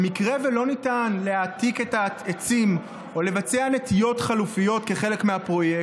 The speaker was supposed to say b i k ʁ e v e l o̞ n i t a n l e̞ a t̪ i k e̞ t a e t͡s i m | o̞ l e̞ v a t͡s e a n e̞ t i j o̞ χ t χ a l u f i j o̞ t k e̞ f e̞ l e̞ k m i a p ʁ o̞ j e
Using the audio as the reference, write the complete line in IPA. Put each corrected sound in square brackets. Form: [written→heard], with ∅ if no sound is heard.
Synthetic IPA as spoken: [b→m] i k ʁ e v e l o̞ n i t a n l e̞ a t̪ i k e̞ t a e t͡s i m | o̞ l e̞ v a t͡s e a n e̞ t i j o̞ [χ→∅] t χ a l u f i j o̞ t k e̞ [f→χ] e̞ l e̞ k m [i→e] a p ʁ o̞ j e